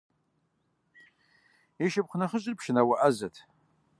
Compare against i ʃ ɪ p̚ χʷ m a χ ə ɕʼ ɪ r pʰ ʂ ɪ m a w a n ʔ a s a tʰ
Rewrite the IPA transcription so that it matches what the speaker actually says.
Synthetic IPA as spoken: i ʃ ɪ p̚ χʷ n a χ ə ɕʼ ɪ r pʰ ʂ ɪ n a w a ʔ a z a tʰ

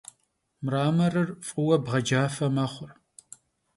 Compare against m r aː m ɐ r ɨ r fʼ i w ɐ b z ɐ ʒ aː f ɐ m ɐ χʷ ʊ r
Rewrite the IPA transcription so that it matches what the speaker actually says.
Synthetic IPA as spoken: m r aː m ɐ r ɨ r fʼ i w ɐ b ʁ ɐ d͡ʒ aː f ɐ m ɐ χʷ ʊ r

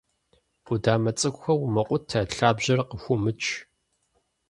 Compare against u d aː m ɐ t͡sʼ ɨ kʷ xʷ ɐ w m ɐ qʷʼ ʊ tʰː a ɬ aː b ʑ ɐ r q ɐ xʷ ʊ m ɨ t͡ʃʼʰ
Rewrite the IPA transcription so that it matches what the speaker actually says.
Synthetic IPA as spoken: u d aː m ɐ t͡sʼ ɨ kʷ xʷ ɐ w m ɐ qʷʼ ʊ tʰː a ɬ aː b ʑ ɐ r q ə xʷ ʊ m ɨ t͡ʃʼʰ

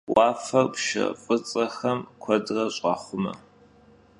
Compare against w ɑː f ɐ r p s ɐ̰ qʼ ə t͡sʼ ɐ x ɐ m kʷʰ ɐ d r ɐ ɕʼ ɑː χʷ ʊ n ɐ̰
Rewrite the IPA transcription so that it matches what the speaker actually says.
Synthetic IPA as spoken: w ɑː f ɐ r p ʃ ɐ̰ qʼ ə t͡sʼ ɐ x ɐ m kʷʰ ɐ d r ɐ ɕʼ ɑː χʷ ʊ m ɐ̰

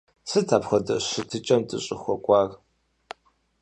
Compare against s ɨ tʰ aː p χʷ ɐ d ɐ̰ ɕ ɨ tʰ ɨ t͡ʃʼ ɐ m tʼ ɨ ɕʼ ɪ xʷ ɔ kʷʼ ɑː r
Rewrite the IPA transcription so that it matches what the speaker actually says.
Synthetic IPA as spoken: s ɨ tʰ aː p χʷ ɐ d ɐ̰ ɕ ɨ tʰ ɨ t͡ʃʼ ɐ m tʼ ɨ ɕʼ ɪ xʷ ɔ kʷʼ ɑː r

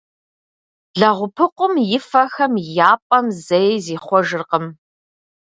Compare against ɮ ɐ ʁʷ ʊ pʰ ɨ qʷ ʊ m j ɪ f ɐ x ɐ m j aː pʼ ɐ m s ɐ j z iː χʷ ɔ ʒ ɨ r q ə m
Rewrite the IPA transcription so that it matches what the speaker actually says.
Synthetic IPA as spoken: ɮ ɐ ʁʷ ʊ pʰ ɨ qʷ ʊ m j ɪ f ɐ x ɐ m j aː pʼ ɐ m z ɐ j z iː χʷ ɔ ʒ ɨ r q ə m

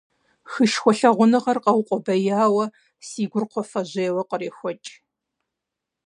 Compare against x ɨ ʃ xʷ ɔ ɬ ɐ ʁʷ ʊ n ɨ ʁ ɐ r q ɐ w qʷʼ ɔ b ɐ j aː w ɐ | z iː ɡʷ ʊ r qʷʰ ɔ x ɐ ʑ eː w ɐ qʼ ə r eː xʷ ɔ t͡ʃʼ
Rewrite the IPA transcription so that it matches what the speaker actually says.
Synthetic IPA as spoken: x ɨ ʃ xʷ ɔ ɬ ɐ ʁʷ ʊ n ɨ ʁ ɐ r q ɐ w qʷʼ ɔ b ɐ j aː w ɐ | s iː ɡʷ ʊ r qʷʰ ɔ f ɐ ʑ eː w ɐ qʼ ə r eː xʷ ɔ t͡ʃʼ

